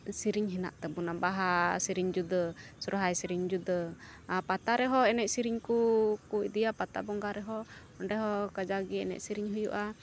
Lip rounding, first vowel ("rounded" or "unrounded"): unrounded